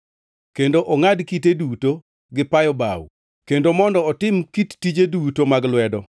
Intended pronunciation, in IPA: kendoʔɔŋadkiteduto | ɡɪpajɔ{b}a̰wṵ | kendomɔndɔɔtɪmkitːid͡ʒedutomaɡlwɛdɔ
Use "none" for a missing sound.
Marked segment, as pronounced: b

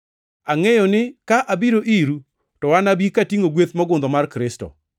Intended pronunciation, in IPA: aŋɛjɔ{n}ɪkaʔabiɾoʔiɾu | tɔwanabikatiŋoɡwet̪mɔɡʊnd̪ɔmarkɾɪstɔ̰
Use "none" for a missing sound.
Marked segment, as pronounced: n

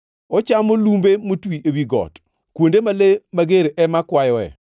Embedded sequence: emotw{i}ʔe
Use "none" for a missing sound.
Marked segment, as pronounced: i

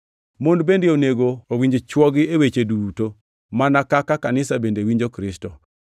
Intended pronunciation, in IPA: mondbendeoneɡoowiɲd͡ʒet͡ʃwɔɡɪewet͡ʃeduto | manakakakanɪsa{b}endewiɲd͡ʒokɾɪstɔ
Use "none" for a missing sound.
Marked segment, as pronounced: b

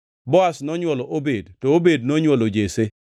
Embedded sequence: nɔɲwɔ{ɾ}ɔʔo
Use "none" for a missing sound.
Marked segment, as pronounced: l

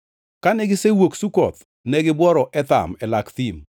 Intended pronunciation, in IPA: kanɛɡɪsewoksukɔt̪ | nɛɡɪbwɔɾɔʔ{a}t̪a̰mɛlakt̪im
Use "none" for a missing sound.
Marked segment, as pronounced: ɛ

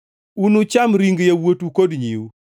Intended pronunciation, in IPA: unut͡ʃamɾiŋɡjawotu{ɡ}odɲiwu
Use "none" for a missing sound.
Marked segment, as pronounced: k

